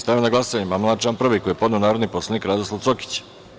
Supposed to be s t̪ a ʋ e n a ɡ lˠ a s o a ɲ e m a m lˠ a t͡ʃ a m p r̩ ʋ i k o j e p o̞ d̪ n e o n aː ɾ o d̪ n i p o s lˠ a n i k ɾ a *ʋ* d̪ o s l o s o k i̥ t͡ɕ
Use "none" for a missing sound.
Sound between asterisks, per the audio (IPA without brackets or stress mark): none